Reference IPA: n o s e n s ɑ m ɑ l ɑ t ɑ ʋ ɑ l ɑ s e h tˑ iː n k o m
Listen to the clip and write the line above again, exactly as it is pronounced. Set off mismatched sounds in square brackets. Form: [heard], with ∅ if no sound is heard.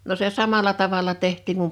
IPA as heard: n o s e [∅] s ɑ m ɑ l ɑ t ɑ ʋ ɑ l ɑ [t] e h tˑ iː [ŋ] k [u] m